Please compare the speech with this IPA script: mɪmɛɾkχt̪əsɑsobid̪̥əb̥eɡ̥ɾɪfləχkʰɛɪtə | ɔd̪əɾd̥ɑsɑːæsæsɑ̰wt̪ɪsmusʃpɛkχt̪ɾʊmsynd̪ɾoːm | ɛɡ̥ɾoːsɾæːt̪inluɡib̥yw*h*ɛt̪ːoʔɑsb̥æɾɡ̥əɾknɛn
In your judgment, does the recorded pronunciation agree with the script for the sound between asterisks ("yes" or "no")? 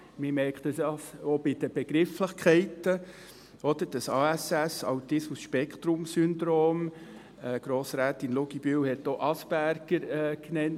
yes